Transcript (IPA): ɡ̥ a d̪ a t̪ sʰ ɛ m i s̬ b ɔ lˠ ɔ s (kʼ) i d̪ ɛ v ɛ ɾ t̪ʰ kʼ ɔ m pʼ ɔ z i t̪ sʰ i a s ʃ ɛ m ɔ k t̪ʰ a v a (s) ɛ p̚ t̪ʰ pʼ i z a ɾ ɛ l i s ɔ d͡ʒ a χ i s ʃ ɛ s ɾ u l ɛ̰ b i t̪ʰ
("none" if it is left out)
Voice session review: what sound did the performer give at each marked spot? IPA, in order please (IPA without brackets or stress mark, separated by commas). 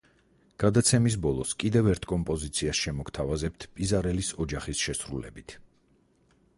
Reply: kʼ, z